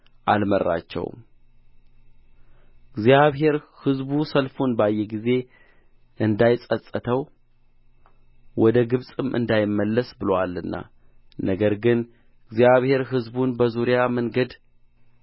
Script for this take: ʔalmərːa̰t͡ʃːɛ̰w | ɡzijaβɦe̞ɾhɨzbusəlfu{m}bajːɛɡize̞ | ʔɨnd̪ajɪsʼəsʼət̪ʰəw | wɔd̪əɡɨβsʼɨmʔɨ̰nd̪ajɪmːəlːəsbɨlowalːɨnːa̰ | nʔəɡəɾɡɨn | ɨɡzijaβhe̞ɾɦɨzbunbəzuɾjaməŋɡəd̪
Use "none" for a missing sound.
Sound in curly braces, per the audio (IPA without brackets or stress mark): n